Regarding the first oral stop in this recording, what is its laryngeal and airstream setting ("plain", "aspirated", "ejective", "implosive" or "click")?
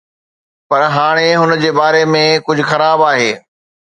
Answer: plain